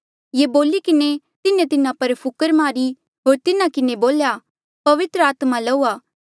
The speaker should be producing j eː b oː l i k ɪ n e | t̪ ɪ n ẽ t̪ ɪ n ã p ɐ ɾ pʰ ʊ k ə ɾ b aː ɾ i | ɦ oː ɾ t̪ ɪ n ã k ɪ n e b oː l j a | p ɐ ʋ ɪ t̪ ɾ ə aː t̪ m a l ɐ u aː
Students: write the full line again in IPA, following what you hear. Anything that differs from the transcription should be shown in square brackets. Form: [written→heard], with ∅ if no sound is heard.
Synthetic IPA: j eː b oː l i k ɪ n e | t̪ ɪ n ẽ t̪ ɪ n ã p ɐ ɾ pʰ ʊ k ə ɾ [b→m] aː ɾ i | ɦ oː ɾ t̪ ɪ n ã k ɪ n e b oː l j a | p ɐ ʋ ɪ t̪ ɾ ə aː t̪ m a l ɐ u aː